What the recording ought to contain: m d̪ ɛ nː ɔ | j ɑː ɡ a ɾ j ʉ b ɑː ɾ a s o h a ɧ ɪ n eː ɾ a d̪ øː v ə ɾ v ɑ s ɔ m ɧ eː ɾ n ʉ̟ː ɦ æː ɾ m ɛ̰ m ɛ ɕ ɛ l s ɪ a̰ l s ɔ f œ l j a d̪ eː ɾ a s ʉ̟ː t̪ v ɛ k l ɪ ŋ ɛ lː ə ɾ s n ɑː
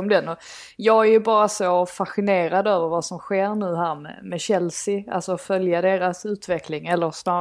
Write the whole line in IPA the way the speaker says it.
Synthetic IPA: m d̪ ɛ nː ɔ | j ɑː ɡ æ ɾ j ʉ b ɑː ɾ a s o f a ɧ ɪ n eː ɾ a d̪ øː v ə ɾ v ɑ s ɔ m ɧ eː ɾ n ʉ̟ː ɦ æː ɾ m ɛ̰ m ɛ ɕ ɛ l s ɪ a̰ l s ɔ f œ l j a d̪ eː ɾ a s ʉ̟ː t̪ v ɛ k l ɪ ŋ ɛ lː ə ɾ s n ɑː